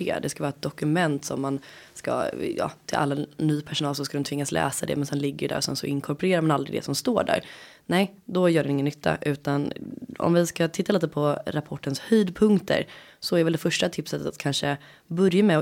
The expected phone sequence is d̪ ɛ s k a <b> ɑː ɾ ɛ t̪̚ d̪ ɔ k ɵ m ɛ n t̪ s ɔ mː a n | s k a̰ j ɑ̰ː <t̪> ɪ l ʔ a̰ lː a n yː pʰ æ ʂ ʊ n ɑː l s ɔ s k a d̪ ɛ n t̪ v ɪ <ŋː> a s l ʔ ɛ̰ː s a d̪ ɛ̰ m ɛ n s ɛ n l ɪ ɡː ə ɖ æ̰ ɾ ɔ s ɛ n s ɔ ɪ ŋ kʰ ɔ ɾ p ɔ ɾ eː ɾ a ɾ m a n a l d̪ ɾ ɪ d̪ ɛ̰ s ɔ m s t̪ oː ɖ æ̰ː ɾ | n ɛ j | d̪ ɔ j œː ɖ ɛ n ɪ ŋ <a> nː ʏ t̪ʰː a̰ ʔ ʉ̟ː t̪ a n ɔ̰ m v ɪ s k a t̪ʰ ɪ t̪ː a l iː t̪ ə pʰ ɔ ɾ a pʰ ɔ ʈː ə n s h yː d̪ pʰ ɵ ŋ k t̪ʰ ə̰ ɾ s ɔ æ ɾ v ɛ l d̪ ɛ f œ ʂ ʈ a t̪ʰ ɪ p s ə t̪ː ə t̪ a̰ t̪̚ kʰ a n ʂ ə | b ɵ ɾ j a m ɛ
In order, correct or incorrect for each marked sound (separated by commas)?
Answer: incorrect, incorrect, correct, incorrect